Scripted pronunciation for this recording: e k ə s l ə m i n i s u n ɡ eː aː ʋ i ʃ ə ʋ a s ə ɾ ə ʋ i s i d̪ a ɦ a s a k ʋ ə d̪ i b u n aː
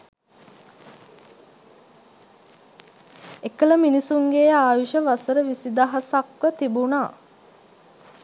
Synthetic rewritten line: e k ə l ə m i n i s u ŋ ɡ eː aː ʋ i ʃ ə ʋ a s ə ɾ ə ʋ i s i d̪ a ɦ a s a k ʋ ə t̪ i b u n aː